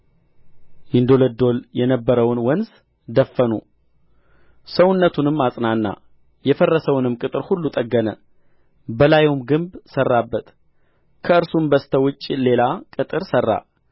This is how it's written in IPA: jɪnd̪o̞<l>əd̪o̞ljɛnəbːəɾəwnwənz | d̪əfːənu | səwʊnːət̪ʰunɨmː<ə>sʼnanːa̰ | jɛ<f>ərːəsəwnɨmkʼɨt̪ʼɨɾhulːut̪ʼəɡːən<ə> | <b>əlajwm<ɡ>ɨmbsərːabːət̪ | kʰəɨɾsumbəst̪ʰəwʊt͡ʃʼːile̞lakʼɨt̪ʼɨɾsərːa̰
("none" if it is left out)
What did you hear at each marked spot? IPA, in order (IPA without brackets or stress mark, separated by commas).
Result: l, a, f, ə, b, ɡ